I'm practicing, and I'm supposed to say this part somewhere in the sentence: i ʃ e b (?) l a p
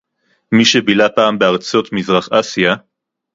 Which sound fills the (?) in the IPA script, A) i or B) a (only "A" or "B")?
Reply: A